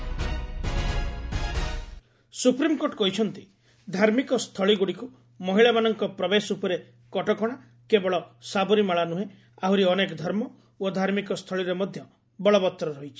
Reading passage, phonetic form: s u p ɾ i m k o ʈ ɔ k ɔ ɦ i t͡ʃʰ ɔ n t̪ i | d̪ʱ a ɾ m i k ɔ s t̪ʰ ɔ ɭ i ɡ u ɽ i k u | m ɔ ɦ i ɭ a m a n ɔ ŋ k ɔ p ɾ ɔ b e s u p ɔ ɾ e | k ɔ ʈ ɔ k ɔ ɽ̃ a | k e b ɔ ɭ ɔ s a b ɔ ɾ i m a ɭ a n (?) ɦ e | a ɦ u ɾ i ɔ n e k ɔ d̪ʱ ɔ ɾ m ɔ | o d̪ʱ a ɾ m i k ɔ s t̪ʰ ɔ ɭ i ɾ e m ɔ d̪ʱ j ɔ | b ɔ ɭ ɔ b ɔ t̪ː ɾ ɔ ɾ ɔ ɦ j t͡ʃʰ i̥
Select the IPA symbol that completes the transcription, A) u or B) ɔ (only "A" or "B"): A